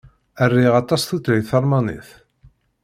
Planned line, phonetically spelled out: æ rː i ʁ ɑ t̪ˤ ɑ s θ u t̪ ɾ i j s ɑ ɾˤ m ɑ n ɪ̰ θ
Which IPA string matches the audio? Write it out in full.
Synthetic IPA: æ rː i ʁ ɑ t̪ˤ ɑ s θ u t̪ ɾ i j θ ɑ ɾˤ m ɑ n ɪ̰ θ